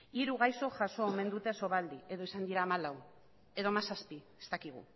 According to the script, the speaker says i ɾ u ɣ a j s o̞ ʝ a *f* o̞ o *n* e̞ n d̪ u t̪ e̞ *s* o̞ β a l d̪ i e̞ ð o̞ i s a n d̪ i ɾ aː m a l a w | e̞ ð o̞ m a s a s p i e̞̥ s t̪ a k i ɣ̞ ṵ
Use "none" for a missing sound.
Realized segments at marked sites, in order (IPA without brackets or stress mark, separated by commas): s, m, s